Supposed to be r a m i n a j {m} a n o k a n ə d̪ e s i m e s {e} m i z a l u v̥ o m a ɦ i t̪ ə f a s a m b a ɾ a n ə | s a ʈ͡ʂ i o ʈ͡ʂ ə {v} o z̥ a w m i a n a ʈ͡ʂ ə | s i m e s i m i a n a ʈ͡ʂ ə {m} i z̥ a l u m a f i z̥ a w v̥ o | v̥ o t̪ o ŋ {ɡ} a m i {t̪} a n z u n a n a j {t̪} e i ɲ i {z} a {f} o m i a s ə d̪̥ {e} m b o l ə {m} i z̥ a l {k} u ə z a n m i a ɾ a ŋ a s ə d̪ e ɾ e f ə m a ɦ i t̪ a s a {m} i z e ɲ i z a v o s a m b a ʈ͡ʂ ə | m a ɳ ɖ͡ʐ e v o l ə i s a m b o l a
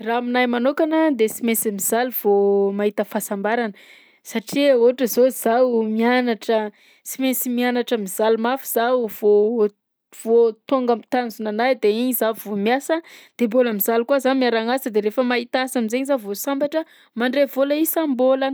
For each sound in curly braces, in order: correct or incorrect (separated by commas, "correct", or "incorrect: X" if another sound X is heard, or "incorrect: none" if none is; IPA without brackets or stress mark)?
correct, incorrect: i, incorrect: z, correct, correct, correct, incorrect: d̪, correct, incorrect: v, correct, correct, correct, correct